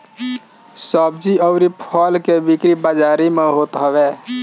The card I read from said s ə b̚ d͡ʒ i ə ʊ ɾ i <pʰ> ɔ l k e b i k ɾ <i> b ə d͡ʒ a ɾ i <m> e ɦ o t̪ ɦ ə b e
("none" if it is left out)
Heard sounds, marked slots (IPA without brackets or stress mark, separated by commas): pʰ, i, m